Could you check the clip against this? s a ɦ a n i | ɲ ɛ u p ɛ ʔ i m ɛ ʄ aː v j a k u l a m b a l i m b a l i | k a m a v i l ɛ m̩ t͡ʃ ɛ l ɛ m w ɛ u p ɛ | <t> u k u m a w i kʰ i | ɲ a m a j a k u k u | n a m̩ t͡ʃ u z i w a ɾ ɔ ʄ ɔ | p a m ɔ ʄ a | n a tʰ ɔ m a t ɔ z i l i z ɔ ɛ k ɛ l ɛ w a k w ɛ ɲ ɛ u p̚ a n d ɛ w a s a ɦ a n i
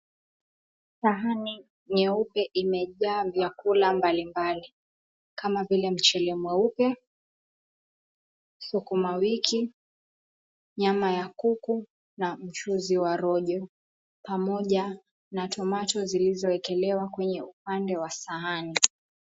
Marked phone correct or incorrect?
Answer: incorrect: s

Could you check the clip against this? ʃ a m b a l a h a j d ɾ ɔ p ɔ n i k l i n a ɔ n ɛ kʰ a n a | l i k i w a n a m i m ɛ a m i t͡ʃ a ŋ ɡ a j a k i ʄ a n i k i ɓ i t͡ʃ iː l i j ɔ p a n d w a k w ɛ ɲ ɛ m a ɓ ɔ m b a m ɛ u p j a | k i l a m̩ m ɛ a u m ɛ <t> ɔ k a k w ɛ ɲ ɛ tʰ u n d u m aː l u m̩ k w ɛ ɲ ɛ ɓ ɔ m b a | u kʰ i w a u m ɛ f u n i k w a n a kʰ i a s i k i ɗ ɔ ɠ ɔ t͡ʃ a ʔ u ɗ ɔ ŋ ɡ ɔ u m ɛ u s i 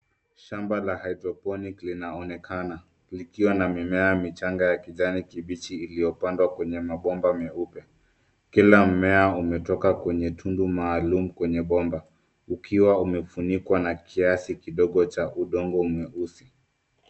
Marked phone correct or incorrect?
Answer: correct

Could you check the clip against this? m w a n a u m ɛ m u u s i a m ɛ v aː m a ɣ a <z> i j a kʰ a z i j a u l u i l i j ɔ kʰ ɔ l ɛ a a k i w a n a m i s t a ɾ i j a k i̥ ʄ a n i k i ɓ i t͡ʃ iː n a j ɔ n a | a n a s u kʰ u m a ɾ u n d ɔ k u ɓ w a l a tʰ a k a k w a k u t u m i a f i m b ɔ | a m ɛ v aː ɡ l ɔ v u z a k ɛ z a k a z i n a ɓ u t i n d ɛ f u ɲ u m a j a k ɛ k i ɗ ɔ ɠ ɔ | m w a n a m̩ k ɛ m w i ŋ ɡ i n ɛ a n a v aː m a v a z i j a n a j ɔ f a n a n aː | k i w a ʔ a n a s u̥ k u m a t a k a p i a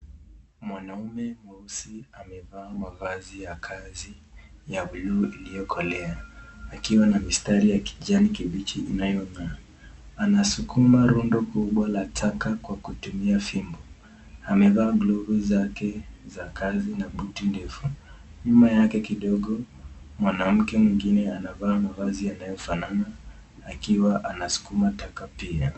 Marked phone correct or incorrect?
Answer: correct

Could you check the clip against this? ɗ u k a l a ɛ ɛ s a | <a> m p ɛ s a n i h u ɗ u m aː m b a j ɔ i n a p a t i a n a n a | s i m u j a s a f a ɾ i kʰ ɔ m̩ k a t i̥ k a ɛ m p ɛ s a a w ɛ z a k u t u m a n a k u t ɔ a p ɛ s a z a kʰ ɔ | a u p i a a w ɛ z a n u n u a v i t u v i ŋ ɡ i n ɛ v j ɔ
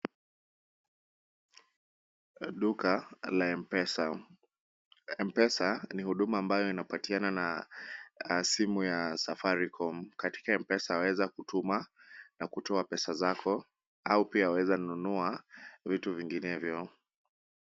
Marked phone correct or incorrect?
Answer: incorrect: ɛ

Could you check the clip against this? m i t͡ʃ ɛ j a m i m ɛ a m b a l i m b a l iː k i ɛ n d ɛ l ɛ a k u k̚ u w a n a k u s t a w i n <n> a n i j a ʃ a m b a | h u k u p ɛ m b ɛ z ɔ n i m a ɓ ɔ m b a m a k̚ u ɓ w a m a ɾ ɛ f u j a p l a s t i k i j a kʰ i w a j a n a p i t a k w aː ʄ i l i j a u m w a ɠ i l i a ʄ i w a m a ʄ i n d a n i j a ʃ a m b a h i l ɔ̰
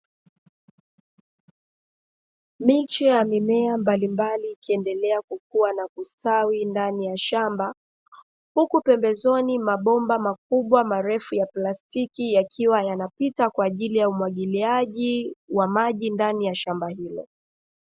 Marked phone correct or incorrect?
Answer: incorrect: d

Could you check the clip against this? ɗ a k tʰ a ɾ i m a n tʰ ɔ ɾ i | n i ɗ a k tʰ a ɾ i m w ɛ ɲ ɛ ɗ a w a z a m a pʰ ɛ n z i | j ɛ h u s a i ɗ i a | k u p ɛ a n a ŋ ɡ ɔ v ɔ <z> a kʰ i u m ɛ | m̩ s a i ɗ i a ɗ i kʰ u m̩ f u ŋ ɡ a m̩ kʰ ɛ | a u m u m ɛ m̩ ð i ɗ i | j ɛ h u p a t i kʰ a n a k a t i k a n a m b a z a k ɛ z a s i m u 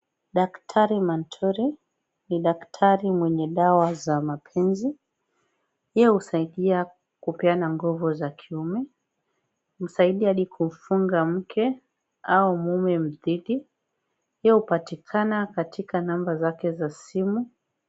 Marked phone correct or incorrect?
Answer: correct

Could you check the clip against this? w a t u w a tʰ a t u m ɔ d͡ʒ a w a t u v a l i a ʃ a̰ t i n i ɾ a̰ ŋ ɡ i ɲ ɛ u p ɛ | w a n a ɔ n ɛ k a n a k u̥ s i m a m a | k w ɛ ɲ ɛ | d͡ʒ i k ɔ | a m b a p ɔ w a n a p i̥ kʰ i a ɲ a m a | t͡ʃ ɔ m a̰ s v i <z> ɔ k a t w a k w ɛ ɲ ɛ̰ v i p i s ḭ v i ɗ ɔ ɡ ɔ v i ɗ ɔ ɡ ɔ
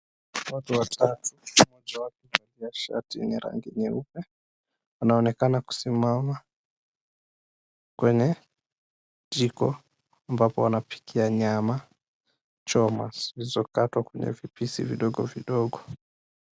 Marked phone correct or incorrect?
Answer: correct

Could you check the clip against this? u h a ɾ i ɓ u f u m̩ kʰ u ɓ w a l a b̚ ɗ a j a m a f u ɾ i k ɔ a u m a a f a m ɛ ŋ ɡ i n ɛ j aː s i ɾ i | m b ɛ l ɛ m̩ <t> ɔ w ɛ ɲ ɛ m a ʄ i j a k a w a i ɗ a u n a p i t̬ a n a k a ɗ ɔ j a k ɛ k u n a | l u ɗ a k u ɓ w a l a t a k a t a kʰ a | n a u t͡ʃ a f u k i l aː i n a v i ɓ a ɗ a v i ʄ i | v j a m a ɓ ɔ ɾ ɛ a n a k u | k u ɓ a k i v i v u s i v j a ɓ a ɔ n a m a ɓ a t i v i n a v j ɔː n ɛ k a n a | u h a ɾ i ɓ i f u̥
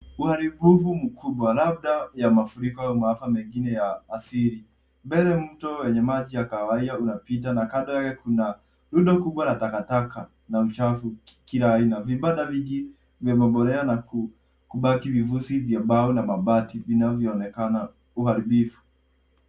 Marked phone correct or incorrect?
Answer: correct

